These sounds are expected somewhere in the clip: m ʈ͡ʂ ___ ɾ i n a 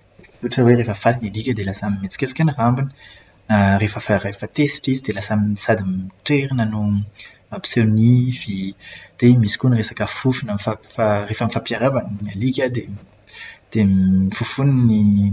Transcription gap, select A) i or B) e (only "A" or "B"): B